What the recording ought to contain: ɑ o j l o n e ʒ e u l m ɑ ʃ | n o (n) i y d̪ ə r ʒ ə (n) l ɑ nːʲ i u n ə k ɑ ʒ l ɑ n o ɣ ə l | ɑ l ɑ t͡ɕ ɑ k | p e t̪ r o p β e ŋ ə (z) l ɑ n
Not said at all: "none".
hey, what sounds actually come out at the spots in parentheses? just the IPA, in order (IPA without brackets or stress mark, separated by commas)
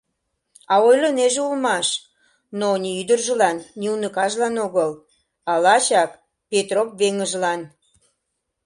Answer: n, none, ʒ